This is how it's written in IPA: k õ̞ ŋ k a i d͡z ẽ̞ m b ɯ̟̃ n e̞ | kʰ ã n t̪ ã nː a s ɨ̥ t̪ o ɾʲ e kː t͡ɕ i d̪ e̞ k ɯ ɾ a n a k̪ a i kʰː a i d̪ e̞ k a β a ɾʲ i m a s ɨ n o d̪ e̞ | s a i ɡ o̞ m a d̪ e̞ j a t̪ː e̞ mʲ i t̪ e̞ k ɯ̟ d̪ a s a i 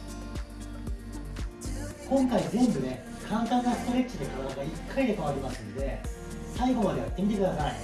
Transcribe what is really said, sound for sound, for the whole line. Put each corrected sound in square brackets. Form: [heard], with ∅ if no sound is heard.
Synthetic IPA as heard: k õ̞ ŋ k a i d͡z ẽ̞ m b [ɯ̟] n e̞ | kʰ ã n t̪ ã nː a s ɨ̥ t̪ o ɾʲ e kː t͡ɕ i d̪ e̞ k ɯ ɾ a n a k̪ a i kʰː a i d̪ e̞ k a β a ɾʲ i m a s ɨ n o d̪ e̞ | s a i ɡ o̞ m a d̪ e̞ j a t̪ː e̞ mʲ i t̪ e̞ k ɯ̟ d̪ a s a i

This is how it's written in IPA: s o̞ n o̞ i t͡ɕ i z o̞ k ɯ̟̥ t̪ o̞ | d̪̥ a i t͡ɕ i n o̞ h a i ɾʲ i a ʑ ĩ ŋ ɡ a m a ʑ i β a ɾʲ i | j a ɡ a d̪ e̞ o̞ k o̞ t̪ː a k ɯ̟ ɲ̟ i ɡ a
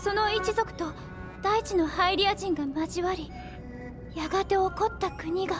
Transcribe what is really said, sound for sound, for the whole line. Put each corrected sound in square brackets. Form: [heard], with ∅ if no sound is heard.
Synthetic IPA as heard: s o̞ n o̞ i t͡ɕ i z o̞ k ɯ̟̥ t̪ o̞ | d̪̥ a i t͡ɕ i n o̞ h a i ɾʲ i a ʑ ĩ ŋ ɡ a m a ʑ i β a ɾʲ i | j a ɡ a [t̪] e̞ o̞ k o̞ t̪ː a k ɯ̟ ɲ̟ i ɡ a

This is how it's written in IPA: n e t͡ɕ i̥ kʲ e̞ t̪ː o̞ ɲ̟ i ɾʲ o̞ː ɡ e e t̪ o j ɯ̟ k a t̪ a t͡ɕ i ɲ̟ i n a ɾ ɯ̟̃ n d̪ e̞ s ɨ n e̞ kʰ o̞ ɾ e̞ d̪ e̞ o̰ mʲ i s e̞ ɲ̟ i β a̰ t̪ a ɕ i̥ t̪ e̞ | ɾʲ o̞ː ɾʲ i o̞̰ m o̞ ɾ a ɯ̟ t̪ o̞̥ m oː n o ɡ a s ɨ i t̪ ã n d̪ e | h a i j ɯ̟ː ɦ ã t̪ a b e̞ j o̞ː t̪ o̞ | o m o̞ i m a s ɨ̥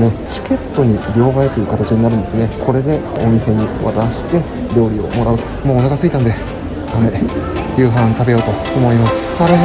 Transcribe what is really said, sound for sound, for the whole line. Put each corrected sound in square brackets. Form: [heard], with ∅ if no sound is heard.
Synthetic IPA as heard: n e t͡ɕ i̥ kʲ e̞ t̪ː o̞ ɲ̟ i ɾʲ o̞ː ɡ [a] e t̪ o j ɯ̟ k a t̪ a t͡ɕ i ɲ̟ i n a ɾ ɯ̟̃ n d̪ e̞ s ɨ n e̞ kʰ o̞ ɾ e̞ d̪ e̞ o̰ mʲ i s e̞ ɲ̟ i β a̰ t̪ a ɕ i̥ t̪ e̞ | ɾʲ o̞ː ɾʲ i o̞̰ m o̞ ɾ a ɯ̟ t̪ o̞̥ m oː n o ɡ a s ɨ i t̪ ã n d̪ e | h a i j ɯ̟ː ɦ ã t̪ a b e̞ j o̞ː t̪ o̞ | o m o̞ i m a s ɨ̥

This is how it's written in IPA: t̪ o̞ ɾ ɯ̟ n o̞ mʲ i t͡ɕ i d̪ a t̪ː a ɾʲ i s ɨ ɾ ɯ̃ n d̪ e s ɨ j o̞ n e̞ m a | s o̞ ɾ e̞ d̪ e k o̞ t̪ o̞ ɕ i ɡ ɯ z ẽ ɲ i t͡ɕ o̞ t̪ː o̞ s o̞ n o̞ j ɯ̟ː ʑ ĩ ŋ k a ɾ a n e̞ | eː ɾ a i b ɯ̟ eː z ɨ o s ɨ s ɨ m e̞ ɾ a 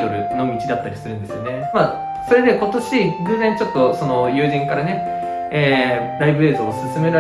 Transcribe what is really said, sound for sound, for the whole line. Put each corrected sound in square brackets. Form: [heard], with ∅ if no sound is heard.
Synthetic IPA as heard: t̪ o̞ ɾ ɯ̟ n o̞ mʲ i t͡ɕ i d̪ a t̪ː a ɾʲ i s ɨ ɾ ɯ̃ n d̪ e s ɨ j o̞ n e̞ m a | s o̞ ɾ e̞ d̪ e k o̞ t̪ o̞ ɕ i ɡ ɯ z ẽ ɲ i t͡ɕ o̞ t̪ː o̞ s o̞ n o̞ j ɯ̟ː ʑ ĩ ŋ k a ɾ a n e̞ | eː ɾ a i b ɯ̟ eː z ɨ o s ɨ s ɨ m e̞ ɾ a

